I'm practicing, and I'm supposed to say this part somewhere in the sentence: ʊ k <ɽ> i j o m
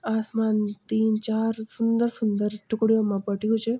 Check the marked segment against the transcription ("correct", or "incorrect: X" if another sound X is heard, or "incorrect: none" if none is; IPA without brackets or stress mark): correct